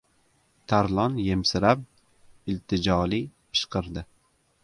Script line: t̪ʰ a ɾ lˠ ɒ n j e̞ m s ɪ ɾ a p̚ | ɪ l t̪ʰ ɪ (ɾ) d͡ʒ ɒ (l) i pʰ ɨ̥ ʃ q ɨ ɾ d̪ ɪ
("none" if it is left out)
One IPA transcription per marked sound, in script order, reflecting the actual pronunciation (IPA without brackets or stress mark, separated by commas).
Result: none, l